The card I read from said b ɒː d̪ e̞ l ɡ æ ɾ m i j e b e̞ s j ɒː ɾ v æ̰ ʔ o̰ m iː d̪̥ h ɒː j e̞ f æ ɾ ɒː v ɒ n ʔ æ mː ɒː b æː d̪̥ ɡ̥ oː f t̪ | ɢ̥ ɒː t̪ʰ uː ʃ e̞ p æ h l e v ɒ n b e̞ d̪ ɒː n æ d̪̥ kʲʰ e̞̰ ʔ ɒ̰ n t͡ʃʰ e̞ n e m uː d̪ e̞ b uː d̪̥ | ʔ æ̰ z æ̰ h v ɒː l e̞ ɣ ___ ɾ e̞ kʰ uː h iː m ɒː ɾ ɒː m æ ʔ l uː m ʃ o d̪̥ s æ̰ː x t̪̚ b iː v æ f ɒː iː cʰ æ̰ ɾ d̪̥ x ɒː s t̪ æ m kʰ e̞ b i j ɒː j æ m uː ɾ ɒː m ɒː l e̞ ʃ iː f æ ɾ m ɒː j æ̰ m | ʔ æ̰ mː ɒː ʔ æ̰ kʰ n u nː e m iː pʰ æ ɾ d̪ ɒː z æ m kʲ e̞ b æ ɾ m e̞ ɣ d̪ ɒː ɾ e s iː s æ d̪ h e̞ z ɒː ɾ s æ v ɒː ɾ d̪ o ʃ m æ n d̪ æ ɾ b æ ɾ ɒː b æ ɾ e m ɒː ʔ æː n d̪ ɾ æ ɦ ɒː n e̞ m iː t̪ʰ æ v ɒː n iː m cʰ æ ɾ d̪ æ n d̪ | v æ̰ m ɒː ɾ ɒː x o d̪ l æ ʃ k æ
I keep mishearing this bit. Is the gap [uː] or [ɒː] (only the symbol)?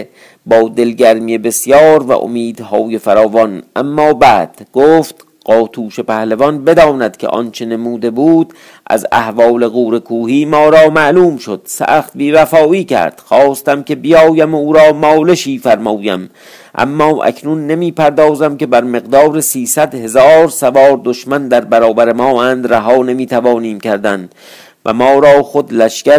uː